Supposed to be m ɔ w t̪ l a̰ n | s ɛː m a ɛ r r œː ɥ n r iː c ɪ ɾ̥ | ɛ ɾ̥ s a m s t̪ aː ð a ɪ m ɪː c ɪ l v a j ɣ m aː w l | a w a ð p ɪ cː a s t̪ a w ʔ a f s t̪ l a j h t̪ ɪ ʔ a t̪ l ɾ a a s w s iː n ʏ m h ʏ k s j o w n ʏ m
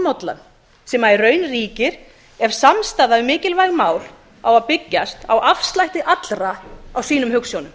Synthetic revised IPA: m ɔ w t̪ l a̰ n | s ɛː m a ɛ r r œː ɥ n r iː c ɪ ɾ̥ | ɛ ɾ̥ s a m s t̪ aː ð a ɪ m ɪː c ɪ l v a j ɣ m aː w l | a w a ð p ɪ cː a s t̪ a w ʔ a f s t̪ l a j h t̪ ɪ ʔ a t̪ l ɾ a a w s iː n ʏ m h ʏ k s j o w n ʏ m